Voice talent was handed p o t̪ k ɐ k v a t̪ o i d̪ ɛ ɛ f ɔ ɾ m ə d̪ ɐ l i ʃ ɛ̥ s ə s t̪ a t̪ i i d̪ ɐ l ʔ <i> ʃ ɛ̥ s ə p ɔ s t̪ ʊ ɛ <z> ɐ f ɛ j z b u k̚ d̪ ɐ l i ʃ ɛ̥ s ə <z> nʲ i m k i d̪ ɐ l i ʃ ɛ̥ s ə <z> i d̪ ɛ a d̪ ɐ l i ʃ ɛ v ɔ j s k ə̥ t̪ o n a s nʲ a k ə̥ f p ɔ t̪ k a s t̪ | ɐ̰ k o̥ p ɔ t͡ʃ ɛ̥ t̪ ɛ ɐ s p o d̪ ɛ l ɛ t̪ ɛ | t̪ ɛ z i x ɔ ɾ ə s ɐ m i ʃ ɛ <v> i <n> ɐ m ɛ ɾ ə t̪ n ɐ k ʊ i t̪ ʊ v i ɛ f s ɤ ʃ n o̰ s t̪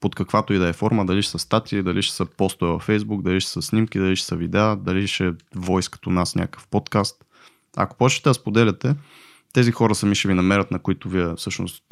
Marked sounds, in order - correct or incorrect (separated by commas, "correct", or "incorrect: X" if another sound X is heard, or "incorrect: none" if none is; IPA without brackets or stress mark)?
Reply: correct, incorrect: v, incorrect: s, incorrect: v, correct, correct